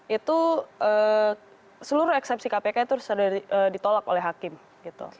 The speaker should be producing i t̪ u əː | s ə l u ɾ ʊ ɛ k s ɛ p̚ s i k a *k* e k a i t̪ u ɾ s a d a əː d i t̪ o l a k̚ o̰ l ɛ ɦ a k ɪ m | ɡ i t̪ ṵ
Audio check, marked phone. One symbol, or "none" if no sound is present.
p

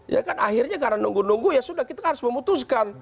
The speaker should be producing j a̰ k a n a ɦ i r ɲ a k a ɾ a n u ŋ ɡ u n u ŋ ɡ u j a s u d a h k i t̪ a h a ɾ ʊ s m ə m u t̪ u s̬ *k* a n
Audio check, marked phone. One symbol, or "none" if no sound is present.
k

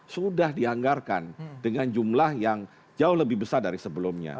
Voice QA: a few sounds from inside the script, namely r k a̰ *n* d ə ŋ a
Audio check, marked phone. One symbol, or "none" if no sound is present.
n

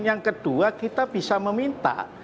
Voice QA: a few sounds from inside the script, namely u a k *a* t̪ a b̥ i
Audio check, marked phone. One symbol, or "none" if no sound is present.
i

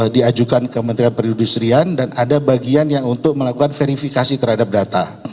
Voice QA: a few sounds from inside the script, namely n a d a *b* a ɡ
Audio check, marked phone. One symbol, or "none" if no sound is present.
b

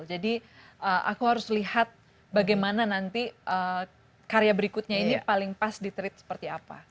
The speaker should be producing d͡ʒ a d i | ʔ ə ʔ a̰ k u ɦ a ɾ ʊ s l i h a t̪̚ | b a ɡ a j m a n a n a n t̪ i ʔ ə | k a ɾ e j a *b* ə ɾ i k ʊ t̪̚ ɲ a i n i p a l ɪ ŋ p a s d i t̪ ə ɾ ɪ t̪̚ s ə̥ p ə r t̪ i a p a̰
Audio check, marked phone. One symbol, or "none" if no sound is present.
b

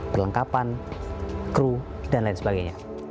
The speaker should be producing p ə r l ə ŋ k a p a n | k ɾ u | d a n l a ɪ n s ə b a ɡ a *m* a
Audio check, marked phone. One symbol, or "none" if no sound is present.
ɲ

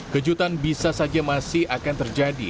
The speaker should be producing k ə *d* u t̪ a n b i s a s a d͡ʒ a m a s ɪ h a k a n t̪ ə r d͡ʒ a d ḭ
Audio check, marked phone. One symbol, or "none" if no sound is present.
d͡ʒ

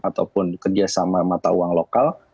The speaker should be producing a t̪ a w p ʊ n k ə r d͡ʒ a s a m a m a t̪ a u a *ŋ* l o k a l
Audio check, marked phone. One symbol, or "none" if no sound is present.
ŋ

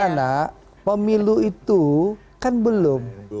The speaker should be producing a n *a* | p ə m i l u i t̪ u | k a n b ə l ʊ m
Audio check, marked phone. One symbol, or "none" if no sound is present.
a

